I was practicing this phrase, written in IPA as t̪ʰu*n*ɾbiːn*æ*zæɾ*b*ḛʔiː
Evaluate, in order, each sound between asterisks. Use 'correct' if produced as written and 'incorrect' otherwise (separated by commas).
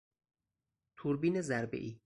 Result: incorrect, incorrect, correct